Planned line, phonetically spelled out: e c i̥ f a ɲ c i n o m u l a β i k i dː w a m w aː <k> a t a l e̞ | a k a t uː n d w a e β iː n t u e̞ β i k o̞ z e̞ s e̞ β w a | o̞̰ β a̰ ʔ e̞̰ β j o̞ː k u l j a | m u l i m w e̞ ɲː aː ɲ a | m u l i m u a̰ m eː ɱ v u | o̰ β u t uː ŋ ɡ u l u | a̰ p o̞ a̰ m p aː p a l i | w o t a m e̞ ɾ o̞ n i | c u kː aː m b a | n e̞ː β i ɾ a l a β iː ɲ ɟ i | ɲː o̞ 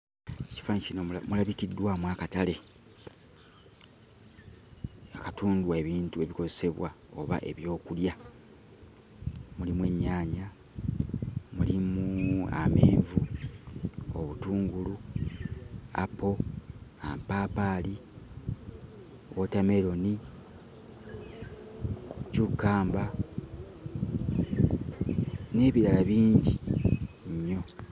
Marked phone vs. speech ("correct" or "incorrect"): correct